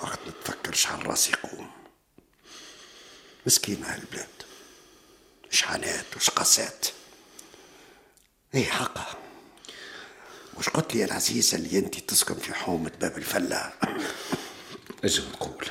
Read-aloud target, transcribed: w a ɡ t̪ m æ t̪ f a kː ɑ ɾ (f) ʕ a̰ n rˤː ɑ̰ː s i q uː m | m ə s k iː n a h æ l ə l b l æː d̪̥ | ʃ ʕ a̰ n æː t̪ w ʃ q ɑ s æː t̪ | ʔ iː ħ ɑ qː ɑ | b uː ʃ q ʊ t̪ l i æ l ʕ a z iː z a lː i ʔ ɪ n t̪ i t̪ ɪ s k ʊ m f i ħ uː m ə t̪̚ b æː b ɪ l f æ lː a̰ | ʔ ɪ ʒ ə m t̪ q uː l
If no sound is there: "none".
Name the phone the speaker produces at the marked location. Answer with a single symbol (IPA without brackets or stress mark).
ʃ